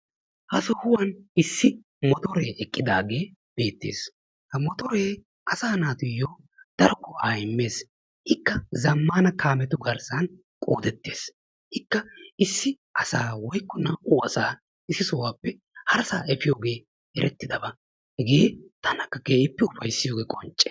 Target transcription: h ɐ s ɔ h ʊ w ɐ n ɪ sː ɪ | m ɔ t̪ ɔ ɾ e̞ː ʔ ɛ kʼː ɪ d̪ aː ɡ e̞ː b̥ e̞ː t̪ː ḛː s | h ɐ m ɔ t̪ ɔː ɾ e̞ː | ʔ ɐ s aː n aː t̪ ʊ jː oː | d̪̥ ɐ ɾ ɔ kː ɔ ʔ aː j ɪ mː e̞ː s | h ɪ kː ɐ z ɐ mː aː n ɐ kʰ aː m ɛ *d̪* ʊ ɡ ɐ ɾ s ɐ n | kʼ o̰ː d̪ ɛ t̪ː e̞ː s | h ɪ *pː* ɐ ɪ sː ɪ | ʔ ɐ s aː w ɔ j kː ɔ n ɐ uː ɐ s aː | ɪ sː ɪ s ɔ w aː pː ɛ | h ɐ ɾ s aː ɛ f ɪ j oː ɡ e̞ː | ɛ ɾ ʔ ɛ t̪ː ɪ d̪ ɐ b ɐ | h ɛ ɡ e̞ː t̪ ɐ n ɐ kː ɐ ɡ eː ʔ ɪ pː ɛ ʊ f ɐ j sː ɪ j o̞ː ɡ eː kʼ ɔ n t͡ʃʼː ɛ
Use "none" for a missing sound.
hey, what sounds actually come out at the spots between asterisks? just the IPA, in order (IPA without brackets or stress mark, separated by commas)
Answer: t̪, kː